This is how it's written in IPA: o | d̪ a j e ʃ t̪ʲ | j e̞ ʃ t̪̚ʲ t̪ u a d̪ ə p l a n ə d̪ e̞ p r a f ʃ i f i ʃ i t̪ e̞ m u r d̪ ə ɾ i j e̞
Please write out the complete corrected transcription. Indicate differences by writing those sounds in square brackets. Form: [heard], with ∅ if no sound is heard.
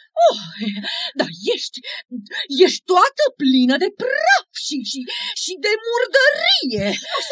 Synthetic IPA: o | d̪ a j e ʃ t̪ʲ | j e̞ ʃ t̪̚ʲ t̪ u a [t̪] ə p l [i] n ə d̪ e̞ p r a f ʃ i [ʃ] i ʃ i [d̪] e̞ m u r d̪ ə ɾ i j e̞